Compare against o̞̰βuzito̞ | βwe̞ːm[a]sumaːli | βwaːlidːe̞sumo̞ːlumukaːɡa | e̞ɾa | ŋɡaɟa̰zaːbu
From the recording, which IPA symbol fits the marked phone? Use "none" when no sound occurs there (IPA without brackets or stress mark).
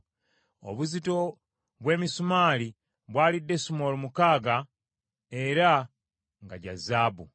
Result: i